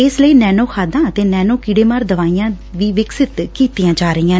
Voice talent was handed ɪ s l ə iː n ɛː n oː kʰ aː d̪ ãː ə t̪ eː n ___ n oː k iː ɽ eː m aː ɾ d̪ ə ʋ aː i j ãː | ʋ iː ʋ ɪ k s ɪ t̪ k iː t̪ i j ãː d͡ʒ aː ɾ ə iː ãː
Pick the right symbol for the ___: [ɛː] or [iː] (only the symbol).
ɛː